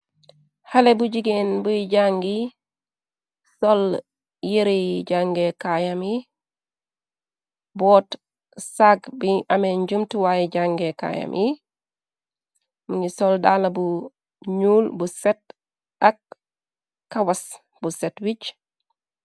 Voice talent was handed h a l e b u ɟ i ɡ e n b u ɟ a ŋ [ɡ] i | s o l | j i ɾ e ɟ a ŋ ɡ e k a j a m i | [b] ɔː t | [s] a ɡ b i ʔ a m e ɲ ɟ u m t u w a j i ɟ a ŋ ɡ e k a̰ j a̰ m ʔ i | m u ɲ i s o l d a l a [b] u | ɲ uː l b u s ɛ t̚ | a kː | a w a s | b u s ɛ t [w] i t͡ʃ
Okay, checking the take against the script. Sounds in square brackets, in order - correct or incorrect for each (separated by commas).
correct, correct, correct, correct, correct